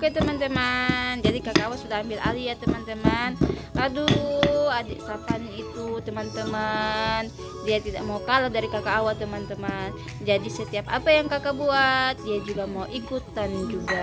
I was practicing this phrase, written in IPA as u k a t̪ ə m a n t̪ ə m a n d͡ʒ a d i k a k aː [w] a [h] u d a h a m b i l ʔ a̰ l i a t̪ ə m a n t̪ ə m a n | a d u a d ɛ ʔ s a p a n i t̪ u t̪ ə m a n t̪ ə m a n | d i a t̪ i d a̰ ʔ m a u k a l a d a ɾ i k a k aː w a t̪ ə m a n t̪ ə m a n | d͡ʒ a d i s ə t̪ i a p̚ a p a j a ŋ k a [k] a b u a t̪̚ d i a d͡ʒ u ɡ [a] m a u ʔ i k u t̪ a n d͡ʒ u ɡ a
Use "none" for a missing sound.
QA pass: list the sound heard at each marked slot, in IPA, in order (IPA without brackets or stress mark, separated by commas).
w, s, k, a